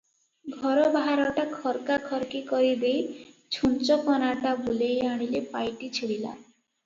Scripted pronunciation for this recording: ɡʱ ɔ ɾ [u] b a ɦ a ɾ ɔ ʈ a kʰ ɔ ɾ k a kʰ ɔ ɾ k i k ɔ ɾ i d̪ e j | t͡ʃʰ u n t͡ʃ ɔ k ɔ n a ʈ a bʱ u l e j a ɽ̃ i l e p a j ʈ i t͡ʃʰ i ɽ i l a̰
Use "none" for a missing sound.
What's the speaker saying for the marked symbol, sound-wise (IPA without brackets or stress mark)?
ɔ